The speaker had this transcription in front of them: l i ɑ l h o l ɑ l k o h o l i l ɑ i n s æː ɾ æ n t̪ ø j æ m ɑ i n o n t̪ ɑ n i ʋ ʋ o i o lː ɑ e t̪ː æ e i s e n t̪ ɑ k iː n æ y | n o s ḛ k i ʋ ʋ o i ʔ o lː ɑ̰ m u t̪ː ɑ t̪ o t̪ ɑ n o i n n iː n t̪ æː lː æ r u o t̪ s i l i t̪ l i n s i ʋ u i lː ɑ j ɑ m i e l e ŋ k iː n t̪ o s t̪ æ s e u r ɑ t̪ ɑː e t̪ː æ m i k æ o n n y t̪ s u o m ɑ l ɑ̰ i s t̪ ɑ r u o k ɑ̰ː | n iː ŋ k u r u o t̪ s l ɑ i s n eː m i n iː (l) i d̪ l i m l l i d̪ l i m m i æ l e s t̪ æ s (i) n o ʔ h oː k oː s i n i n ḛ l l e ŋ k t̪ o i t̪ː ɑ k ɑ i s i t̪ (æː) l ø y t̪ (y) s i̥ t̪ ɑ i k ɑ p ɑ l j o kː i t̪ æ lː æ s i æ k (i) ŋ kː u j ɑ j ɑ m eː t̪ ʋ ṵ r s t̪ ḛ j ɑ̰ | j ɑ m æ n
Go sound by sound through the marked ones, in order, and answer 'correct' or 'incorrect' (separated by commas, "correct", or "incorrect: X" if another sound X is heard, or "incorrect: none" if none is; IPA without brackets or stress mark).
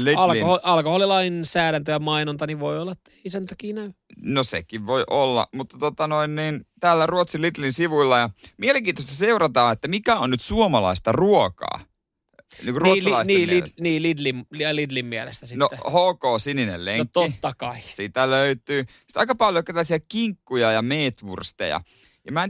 correct, correct, incorrect: æ, incorrect: yː, correct